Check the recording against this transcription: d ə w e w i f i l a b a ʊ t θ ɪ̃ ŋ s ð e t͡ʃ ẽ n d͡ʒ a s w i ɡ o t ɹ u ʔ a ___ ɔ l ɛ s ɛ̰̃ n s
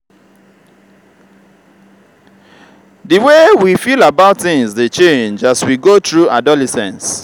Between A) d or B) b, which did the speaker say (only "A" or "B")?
A